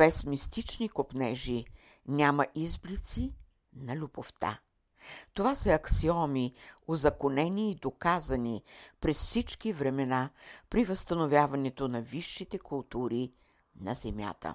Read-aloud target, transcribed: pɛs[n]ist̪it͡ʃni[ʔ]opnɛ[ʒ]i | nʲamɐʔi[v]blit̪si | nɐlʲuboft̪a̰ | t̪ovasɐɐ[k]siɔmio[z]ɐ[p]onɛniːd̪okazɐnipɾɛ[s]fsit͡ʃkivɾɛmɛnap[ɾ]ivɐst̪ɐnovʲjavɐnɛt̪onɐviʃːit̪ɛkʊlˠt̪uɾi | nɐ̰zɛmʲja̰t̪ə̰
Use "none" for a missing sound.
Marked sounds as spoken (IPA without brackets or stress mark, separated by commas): m, k, ʒ, z, k, z, k, s, ɾ